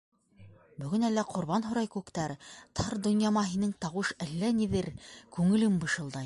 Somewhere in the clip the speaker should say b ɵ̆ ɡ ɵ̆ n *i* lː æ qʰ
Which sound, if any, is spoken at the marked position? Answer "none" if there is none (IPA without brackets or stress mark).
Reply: æ